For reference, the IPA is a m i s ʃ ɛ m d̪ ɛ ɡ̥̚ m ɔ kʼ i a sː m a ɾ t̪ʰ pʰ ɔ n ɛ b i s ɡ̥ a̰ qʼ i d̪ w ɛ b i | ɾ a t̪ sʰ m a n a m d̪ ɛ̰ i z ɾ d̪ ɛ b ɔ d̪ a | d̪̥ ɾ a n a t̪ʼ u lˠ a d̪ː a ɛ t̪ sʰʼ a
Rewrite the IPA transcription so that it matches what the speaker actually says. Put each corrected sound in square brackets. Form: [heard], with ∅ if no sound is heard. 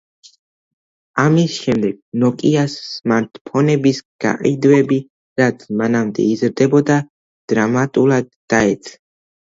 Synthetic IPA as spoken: a m i s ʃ ɛ m d̪ ɛ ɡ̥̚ [n] ɔ kʼ i a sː m a ɾ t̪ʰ pʰ ɔ n ɛ b i s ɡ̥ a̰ qʼ i d̪ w ɛ b i | ɾ a t̪ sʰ m a n a m d̪ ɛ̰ i z ɾ d̪ ɛ b ɔ d̪ a | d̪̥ ɾ a [m] a t̪ʼ u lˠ a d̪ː a ɛ t̪ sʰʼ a